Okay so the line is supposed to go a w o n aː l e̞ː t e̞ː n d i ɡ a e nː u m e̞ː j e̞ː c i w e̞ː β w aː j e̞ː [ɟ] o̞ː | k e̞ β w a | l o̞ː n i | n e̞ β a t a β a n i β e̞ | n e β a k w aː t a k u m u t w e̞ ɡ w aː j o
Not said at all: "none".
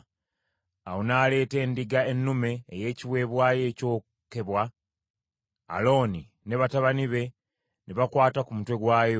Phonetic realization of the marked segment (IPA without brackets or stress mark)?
c